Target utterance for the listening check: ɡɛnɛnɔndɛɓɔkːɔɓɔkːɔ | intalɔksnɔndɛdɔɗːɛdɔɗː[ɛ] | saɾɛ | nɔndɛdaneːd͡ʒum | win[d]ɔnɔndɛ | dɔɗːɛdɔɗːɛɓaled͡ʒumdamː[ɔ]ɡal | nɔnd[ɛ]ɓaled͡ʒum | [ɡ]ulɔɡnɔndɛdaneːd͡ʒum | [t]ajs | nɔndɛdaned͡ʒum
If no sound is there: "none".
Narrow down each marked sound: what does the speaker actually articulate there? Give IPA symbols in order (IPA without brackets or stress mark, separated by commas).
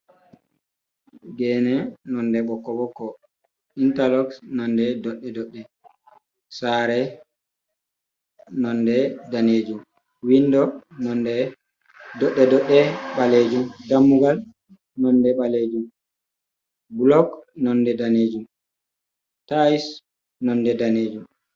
ɛ, d, u, ɛ, b, t